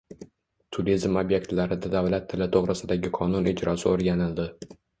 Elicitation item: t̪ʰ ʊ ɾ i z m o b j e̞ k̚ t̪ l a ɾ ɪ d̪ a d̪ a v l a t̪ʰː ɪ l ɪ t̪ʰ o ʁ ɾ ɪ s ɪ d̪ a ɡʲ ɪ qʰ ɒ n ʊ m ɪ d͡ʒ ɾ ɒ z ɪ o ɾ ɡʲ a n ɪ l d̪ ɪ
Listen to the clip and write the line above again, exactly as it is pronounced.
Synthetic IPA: t̪ʰ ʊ ɾ i z m o b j e̞ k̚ t̪ l a ɾ ɪ d̪ a d̪ a v l a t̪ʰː ɪ l ɪ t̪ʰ o ʁ ɾ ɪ s ɪ d̪ a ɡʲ ɪ qʰ ɒ n ʊ n ɪ d͡ʒ ɾ ɒ s ɪ o ɾ ɡʲ a n ɪ l d̪ ɪ